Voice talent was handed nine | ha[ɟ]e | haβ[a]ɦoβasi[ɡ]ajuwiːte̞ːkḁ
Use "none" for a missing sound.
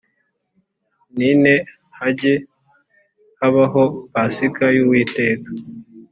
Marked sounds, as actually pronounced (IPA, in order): ɟ, a, k

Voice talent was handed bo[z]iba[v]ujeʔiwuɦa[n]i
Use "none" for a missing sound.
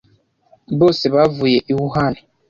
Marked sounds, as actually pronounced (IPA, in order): s, v, n

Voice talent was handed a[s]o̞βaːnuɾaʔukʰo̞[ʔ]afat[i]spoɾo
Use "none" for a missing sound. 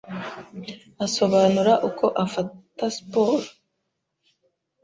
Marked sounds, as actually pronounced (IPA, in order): s, ʔ, a

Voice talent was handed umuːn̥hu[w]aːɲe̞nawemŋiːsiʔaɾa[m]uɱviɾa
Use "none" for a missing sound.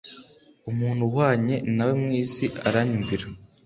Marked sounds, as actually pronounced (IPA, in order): w, ɲ

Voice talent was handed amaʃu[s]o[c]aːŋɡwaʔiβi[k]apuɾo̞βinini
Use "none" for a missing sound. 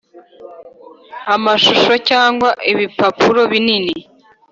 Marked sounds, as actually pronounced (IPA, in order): ʃ, c, p

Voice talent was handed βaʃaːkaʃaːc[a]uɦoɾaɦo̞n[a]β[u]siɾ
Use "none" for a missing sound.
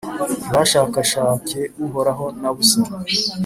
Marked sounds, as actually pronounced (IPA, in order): e, a, u

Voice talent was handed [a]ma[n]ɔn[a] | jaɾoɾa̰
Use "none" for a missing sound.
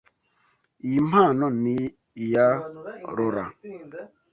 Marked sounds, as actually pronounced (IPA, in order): i, n, i

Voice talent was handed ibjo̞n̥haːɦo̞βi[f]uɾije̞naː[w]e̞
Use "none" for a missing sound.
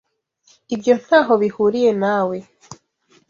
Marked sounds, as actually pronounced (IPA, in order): h, w

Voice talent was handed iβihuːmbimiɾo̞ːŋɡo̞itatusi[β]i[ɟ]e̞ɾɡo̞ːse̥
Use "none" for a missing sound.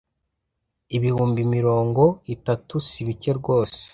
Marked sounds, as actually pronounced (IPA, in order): β, c

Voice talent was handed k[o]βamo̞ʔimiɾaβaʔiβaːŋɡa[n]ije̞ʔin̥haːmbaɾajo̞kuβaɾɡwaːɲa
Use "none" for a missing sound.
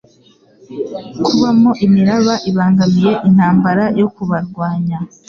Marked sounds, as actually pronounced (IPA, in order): u, m

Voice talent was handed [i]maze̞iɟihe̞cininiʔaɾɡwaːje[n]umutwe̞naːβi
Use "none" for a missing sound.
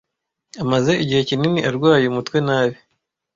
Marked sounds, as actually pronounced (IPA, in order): a, none

